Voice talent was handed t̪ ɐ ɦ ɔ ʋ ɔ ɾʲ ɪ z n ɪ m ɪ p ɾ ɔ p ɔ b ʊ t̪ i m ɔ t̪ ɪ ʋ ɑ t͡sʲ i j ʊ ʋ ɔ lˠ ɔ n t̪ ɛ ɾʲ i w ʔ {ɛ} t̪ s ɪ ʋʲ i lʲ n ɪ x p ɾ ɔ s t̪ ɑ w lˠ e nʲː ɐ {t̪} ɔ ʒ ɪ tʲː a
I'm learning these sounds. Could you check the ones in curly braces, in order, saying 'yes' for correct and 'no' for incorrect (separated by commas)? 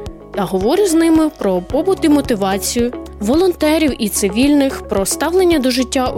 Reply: no, no